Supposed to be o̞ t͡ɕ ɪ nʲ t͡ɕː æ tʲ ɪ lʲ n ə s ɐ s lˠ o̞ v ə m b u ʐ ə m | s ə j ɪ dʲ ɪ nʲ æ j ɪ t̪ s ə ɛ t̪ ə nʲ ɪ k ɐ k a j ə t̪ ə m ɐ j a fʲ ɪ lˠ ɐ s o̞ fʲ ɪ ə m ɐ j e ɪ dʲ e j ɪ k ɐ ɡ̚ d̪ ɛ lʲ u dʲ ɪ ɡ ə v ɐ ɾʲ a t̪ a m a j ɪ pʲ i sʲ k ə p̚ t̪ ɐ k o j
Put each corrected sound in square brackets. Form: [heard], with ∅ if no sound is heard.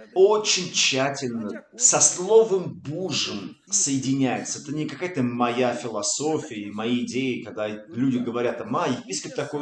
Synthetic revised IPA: o̞ t͡ɕ ɪ nʲ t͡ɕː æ tʲ ɪ lʲ n ə s ɐ s lˠ o̞ v ə m b u ʐ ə m | s ə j ɪ dʲ ɪ nʲ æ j ɪ t̪ s ə ɛ t̪ ə nʲ ɪ k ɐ k a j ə t̪ ə m ɐ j a fʲ ɪ lˠ ɐ s o̞ fʲ ɪ ə m ɐ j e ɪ dʲ e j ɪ k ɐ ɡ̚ d̪ [a] lʲ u dʲ ɪ ɡ ə v ɐ ɾʲ a t̪ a m a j ɪ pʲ i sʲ k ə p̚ t̪ ɐ k o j